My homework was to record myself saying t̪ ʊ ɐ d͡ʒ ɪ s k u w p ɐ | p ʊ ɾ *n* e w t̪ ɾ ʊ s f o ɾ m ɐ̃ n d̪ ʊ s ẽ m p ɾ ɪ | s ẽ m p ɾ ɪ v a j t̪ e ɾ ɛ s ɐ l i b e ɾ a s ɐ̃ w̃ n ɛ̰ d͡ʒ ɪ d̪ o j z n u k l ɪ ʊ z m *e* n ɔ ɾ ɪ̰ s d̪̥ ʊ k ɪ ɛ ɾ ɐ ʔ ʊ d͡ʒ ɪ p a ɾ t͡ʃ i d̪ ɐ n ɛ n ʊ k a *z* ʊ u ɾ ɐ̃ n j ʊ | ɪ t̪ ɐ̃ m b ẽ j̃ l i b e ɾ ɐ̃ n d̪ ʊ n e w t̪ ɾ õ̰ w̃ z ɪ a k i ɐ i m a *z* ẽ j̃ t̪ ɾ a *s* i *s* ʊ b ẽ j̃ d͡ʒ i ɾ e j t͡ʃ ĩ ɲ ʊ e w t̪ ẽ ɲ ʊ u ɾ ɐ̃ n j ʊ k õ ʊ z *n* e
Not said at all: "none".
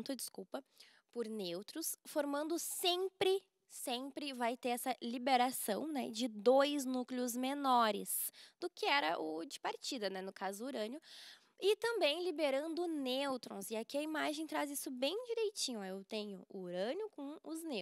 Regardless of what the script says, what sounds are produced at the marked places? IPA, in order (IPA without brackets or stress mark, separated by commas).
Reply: n, e, z, ʒ, z, s, n